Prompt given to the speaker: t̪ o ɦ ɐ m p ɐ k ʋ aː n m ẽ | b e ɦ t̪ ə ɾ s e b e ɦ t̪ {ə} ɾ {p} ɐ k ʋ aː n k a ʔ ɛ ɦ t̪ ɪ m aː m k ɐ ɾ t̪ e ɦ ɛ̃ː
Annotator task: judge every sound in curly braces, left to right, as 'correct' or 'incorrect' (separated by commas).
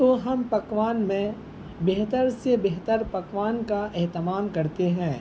correct, correct